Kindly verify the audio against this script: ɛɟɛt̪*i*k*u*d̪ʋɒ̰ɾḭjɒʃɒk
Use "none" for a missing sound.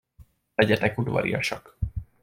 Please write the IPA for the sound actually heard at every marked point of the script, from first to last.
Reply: ɛ, u

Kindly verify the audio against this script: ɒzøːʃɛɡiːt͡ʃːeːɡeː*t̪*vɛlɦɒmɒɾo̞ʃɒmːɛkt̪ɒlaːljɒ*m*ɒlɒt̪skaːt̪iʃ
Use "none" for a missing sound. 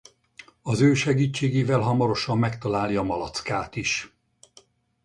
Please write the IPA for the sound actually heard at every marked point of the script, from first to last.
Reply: none, m

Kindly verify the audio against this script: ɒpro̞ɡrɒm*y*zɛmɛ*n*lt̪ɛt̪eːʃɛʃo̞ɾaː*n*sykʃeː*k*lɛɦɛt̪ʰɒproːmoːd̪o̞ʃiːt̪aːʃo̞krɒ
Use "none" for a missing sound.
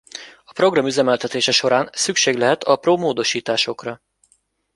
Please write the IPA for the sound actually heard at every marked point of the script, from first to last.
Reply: y, none, n, ɡ

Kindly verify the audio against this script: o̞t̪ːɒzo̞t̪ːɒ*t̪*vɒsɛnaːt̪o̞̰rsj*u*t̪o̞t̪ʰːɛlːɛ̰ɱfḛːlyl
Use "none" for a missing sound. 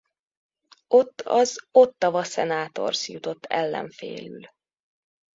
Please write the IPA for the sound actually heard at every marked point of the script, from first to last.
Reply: none, u

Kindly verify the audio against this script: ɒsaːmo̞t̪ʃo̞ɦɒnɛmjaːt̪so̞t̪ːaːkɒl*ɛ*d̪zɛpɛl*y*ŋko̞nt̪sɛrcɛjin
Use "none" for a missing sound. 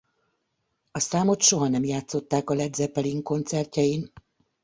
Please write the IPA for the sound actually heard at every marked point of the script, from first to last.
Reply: ɛ, i

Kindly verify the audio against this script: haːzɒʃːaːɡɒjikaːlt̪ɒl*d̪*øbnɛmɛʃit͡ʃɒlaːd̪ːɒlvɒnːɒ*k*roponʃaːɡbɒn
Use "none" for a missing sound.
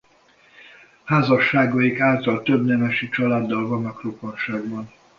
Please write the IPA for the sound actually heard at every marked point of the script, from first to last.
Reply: t̪, k

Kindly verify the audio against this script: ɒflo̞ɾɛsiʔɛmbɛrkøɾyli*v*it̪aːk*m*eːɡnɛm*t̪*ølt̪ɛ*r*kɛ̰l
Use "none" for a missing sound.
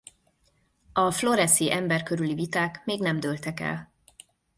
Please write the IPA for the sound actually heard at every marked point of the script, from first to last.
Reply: v, m, d̪, none

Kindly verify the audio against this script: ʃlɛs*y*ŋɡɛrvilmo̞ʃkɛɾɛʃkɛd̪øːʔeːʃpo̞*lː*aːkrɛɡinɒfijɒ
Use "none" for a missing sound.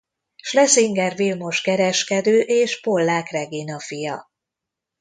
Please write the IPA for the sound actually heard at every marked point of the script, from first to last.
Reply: i, lː

